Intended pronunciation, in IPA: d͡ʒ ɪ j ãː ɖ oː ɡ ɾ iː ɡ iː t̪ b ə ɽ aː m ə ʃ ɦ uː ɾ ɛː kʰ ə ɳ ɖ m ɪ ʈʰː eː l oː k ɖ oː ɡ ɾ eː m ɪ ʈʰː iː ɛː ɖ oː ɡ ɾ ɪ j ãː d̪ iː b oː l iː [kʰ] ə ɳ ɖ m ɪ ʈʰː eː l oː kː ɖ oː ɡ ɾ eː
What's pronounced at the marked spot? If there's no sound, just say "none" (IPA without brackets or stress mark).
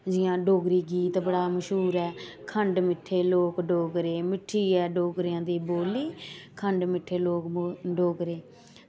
kʰ